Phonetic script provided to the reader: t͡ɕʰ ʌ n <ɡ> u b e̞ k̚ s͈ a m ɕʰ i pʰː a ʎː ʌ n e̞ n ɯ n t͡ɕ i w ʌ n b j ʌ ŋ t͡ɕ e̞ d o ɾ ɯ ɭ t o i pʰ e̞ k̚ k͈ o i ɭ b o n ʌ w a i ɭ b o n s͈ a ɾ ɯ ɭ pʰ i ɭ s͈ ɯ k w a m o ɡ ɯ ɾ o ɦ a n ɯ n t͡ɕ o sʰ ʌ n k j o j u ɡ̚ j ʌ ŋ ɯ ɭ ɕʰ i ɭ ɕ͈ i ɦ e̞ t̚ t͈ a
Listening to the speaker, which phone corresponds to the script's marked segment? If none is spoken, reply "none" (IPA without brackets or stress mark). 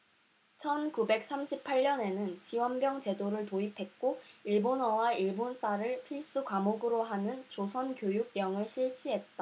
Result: k